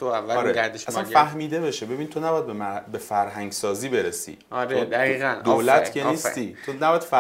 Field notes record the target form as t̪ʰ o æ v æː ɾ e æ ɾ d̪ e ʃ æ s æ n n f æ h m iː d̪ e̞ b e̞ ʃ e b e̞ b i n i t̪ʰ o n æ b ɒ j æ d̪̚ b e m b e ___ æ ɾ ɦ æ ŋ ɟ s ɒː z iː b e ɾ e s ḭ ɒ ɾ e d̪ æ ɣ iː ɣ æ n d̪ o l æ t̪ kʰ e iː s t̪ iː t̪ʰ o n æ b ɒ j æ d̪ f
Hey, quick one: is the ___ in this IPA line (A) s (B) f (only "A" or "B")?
B